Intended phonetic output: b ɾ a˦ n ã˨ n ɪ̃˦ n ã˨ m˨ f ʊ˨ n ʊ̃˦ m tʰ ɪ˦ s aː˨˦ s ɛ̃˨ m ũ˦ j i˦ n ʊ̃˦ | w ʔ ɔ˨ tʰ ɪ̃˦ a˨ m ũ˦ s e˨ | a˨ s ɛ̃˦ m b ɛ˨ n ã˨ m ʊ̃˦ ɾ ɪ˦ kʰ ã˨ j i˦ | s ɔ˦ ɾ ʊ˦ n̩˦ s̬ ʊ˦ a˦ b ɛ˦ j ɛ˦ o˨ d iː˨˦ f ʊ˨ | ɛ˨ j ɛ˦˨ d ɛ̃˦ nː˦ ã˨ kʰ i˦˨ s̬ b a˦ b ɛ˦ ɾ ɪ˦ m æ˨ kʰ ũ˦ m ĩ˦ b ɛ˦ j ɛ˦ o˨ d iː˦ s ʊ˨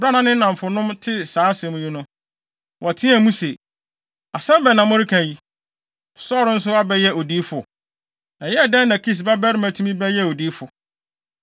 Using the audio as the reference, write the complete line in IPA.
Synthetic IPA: b ɾ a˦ n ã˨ n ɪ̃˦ n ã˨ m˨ f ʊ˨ n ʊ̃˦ m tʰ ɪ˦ s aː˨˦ s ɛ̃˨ m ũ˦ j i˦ n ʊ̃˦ | w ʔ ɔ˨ tʰ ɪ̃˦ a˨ m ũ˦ s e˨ | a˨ s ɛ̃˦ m b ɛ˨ n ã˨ m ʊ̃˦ ɾ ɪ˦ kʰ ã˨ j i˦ | s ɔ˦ ɾ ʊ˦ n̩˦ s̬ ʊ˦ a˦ b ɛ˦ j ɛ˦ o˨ d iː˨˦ f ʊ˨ | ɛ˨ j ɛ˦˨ d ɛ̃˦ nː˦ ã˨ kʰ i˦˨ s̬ b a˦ b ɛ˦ ɾ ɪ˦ m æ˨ tʰ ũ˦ m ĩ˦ b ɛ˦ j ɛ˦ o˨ d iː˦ f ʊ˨